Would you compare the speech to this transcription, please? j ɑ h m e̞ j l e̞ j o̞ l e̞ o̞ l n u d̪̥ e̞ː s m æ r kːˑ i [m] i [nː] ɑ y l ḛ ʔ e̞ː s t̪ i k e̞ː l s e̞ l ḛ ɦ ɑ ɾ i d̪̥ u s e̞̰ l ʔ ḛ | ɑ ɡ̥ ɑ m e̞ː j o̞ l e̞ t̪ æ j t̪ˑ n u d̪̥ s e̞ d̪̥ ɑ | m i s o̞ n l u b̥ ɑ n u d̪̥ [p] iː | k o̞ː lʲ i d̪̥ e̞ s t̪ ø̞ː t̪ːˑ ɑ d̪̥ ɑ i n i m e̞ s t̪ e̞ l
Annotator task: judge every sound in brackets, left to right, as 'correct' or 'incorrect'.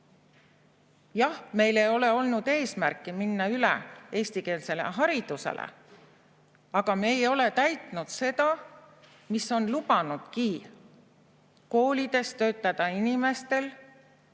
correct, correct, incorrect

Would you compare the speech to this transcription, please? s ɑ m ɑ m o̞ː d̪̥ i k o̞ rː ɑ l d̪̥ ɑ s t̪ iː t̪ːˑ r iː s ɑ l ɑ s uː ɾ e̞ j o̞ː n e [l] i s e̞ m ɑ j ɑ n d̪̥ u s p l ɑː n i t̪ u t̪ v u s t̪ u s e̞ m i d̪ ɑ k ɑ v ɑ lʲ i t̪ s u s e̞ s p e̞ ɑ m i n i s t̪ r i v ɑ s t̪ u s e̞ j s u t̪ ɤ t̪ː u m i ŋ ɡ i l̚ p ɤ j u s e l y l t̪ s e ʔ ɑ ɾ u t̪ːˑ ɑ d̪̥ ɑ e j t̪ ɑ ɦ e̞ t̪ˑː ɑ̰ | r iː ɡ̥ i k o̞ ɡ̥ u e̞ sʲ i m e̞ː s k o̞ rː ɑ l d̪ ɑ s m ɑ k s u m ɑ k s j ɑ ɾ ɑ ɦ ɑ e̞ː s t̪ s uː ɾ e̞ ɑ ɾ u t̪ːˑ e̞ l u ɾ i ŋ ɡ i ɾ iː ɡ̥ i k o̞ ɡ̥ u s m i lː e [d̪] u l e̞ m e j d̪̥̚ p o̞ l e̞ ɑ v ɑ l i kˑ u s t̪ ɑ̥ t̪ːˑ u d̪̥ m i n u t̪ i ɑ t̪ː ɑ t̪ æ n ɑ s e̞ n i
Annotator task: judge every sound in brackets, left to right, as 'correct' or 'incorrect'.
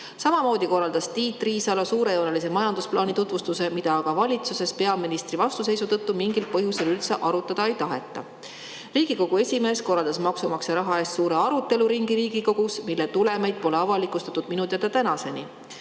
correct, incorrect

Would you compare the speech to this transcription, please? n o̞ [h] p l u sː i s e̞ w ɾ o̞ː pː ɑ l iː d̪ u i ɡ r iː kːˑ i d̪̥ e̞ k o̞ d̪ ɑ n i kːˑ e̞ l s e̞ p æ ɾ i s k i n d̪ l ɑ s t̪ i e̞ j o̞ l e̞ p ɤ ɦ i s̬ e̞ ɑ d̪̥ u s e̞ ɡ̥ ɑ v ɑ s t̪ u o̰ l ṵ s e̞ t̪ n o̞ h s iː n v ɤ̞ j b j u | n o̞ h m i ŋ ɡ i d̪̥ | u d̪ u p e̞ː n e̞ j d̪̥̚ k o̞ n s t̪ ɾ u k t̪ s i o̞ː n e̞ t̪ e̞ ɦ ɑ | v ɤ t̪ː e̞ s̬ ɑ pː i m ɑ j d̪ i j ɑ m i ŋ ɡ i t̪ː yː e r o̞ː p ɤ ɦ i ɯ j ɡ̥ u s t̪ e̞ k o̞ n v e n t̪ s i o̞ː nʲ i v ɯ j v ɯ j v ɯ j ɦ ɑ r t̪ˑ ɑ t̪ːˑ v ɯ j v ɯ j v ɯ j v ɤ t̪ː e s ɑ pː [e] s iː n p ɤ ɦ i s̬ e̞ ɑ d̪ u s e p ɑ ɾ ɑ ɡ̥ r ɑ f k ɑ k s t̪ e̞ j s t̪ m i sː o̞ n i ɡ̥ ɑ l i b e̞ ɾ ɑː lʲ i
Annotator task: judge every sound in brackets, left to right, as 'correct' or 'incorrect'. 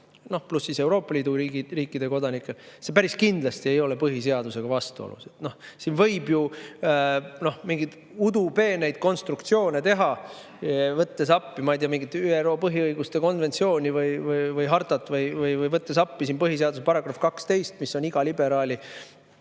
correct, incorrect

